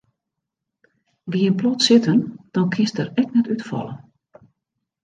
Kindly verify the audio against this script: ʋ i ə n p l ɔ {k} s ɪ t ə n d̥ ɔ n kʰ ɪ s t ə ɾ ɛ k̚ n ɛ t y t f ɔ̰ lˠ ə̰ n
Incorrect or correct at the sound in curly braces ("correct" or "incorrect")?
incorrect